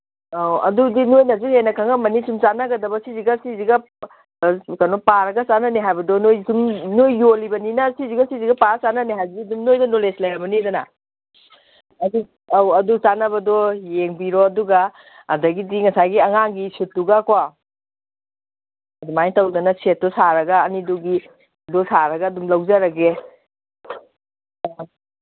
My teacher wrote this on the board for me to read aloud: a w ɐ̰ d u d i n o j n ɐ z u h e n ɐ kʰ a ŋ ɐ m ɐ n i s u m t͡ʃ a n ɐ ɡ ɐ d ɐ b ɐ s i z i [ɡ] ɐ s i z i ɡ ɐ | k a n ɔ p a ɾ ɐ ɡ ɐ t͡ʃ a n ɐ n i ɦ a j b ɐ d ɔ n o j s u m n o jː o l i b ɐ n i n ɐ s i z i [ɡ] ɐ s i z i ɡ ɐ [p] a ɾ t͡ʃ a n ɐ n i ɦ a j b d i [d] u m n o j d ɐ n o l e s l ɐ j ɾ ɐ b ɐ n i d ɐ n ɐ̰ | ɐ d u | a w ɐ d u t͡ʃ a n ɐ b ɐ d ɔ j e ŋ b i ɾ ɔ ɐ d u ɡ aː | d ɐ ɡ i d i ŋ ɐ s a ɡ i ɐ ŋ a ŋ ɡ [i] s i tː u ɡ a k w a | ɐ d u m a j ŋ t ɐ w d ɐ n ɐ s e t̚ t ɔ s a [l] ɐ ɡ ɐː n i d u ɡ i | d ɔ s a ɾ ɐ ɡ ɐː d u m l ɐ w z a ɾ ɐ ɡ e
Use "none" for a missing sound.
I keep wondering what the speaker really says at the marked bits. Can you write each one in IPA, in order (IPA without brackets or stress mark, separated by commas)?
ɡ, ɡ, p, d, i, ɾ